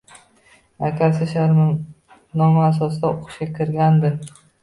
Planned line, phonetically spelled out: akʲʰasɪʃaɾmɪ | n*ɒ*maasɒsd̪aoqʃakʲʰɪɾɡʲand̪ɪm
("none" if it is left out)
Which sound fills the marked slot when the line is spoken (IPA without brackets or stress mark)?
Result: ɒ